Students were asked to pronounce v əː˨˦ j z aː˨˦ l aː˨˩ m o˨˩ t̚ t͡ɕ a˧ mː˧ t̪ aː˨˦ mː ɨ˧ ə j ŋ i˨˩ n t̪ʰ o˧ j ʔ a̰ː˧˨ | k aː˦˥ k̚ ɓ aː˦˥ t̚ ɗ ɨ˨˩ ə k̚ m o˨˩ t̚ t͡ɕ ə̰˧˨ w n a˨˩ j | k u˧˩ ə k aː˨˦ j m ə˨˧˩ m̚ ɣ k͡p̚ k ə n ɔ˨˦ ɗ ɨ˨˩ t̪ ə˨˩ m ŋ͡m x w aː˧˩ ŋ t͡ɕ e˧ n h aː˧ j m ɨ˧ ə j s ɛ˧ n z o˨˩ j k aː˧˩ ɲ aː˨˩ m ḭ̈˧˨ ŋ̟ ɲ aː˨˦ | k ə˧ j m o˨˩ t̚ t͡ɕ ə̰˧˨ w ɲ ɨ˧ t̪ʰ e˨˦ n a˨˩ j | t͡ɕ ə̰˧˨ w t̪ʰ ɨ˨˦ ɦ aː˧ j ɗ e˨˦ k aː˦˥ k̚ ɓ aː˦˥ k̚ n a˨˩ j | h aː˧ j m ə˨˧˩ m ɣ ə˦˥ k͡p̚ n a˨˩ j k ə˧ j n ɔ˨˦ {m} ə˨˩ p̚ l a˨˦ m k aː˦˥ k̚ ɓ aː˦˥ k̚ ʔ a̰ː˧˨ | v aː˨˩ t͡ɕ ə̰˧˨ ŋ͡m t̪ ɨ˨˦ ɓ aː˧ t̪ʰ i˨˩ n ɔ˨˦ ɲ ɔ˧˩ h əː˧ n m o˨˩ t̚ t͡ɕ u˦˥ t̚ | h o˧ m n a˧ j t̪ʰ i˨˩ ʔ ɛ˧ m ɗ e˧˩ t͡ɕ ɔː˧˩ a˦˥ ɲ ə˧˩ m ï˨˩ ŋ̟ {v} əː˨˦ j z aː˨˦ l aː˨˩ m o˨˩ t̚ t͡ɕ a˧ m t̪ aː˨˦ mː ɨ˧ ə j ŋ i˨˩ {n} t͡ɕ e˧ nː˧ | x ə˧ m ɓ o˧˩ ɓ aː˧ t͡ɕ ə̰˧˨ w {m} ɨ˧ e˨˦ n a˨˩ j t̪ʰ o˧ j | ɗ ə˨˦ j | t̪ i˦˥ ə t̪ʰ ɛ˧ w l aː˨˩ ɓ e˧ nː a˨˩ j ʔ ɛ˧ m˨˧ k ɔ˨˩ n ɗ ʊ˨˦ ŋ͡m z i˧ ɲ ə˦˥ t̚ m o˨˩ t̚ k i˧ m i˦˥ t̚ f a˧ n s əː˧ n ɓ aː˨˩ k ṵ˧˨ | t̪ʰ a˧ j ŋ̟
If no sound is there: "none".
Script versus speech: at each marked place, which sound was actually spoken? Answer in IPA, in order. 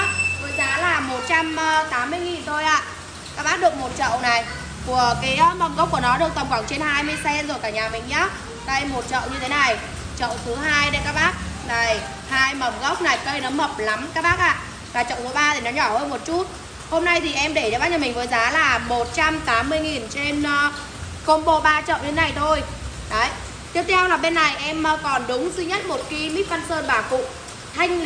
m, v, n, ɲ

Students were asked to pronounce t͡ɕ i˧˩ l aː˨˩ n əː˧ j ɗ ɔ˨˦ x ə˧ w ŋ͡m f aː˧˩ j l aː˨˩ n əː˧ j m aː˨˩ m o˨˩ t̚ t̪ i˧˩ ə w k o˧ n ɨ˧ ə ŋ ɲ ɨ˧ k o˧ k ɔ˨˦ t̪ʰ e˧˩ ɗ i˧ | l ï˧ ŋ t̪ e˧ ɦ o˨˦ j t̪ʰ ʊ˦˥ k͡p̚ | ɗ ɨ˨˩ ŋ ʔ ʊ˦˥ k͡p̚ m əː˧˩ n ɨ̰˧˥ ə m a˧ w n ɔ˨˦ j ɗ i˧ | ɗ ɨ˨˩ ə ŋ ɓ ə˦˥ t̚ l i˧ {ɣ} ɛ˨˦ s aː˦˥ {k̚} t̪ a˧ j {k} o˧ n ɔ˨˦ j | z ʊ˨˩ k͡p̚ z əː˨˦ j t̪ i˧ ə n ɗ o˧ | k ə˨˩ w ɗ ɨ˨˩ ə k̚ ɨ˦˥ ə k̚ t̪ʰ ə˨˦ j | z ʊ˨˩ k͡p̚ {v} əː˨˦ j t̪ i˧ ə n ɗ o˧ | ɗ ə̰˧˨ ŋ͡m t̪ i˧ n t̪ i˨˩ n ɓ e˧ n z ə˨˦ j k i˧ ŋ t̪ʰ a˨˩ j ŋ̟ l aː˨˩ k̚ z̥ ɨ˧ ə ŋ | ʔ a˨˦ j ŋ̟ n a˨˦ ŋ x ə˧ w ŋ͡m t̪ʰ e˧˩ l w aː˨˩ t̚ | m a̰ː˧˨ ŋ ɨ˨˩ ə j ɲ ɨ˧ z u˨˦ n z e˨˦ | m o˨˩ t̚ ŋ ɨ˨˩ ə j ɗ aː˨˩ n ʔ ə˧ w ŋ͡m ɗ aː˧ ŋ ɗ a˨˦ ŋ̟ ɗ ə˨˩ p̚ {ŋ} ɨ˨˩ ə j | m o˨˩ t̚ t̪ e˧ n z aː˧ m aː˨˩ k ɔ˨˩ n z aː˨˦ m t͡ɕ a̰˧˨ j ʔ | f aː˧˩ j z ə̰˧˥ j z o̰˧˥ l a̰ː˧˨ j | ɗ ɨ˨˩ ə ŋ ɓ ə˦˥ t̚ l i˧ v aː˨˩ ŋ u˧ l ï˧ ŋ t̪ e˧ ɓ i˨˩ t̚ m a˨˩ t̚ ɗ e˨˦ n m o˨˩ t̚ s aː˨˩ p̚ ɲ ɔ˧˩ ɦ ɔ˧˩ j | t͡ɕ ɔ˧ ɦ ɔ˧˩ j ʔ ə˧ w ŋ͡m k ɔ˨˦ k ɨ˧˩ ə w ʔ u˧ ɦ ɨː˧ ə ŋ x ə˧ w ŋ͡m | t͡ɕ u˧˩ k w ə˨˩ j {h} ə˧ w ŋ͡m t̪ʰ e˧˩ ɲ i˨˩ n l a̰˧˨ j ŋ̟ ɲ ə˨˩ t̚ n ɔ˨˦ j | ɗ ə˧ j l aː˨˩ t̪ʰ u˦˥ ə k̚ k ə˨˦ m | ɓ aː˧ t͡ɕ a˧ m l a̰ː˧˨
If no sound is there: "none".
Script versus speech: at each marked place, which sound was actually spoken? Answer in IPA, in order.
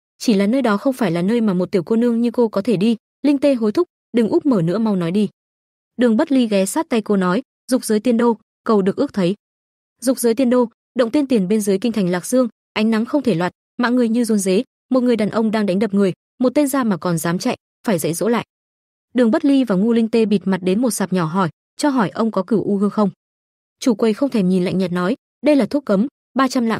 ɣ, t̚, k, z, ŋ, x

